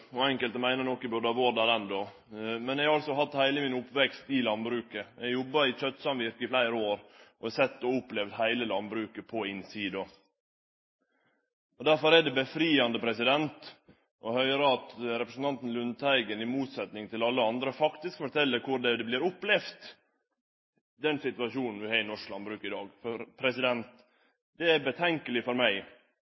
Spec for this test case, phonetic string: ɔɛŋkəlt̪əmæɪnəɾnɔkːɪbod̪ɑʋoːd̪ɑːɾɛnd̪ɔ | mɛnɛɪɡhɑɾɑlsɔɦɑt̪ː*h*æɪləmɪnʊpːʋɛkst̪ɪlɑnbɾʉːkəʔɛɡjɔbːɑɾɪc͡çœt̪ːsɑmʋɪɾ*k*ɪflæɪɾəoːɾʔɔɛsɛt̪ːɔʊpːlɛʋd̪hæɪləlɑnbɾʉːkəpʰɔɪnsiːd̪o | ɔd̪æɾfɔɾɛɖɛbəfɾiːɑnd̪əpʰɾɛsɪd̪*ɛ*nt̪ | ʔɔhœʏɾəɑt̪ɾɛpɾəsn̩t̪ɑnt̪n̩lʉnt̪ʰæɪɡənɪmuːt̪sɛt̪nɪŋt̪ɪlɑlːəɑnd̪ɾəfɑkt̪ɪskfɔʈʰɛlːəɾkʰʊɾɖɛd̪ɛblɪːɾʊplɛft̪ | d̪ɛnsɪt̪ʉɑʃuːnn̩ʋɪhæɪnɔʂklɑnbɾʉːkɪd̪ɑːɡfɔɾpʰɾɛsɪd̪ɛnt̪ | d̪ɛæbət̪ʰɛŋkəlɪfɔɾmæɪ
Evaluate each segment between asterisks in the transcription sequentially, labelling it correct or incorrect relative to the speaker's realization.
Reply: correct, correct, correct

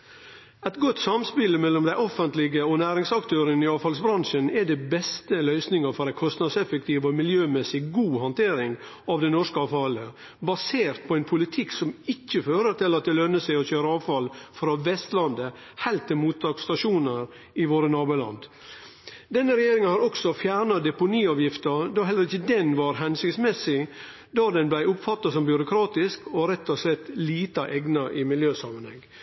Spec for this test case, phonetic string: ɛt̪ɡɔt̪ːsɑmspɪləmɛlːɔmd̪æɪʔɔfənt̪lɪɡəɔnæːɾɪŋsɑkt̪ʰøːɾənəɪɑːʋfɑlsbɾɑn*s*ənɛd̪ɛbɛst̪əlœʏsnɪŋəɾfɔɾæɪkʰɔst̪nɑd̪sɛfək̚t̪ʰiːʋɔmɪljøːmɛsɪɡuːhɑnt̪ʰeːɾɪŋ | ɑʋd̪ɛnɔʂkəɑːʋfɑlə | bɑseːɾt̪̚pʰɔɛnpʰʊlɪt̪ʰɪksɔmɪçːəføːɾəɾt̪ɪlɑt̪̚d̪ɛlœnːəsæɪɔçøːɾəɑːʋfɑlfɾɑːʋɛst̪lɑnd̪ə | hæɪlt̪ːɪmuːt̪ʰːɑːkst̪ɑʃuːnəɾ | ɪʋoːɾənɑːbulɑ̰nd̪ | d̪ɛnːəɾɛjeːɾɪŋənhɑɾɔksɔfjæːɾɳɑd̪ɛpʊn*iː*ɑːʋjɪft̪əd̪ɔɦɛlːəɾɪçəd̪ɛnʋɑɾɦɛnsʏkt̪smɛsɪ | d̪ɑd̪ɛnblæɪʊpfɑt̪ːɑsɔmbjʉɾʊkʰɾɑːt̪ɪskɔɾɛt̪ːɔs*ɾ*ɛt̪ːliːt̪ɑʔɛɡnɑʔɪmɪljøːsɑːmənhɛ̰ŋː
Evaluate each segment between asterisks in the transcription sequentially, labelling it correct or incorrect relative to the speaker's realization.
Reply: incorrect, correct, incorrect

